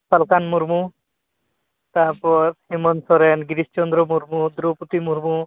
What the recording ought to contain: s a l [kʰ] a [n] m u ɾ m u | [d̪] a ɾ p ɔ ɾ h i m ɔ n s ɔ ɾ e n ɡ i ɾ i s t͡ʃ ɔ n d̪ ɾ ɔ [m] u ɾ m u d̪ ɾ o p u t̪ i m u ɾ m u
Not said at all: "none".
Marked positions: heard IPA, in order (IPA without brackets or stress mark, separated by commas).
k, n, t̪, m